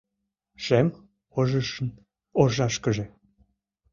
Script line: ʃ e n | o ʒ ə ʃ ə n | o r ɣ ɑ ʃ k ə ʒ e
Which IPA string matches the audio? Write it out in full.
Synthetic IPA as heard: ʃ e m | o ʒ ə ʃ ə n | o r ʒ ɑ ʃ k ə ʒ e